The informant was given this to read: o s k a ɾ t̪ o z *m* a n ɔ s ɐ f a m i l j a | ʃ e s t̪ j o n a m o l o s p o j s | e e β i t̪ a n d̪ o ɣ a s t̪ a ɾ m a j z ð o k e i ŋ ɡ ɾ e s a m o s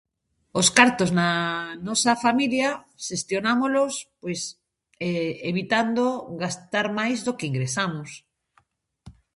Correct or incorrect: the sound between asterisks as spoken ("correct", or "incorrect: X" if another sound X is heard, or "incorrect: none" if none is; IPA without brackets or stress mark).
incorrect: n